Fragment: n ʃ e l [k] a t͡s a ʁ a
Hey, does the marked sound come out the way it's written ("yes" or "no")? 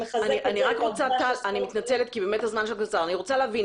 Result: yes